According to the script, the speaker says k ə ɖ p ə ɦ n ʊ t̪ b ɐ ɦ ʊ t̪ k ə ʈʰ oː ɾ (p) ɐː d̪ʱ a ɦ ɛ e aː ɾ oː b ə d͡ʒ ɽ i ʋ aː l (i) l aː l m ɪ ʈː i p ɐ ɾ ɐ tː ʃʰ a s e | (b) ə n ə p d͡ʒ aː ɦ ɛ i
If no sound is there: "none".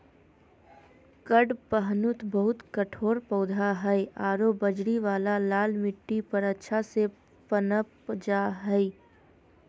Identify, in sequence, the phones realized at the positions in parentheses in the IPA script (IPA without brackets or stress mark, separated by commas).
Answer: p, a, p